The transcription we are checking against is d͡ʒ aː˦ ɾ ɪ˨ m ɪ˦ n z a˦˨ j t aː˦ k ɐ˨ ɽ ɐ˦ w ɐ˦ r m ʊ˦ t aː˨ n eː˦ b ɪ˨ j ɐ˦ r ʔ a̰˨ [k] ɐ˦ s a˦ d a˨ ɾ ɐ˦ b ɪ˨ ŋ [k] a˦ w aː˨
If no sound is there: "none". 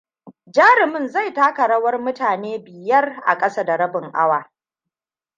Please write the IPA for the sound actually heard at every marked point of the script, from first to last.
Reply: kʼ, ʔ

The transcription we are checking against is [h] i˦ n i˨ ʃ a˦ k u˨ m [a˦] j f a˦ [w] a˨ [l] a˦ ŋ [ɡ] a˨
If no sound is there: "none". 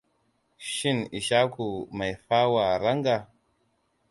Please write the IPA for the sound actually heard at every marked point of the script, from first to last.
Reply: ʃ, a˨, w, ɾ, ɡ

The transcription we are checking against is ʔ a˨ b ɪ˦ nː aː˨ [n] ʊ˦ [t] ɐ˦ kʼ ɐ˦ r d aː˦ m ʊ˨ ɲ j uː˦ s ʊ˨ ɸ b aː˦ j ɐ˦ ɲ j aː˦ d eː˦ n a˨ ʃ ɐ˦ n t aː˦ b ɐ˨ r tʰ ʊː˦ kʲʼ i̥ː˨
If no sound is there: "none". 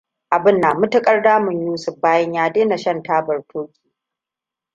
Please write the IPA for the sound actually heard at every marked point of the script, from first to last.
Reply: m, t

